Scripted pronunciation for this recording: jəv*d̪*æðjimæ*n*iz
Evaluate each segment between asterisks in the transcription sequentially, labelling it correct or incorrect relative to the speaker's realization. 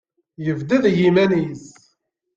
correct, correct

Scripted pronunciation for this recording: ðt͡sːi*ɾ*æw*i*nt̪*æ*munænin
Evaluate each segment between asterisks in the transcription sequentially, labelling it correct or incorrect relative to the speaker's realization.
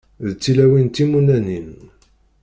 incorrect, correct, incorrect

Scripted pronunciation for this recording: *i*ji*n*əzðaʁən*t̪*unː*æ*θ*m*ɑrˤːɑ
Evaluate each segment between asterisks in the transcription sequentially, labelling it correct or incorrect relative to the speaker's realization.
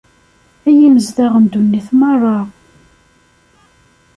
incorrect, incorrect, incorrect, incorrect, correct

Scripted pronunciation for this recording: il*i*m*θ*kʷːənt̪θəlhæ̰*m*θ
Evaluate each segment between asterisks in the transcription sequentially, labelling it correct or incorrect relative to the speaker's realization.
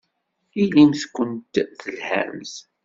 correct, correct, correct

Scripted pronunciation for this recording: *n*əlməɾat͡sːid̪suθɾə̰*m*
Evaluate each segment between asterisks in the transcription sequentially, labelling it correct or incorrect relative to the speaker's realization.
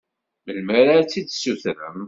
incorrect, correct

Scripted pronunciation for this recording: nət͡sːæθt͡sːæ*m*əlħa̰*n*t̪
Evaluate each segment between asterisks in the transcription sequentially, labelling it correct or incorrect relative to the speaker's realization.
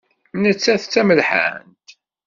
correct, correct

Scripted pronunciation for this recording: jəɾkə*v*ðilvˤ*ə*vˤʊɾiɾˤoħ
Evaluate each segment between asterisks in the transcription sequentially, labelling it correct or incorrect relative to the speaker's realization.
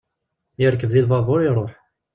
correct, incorrect

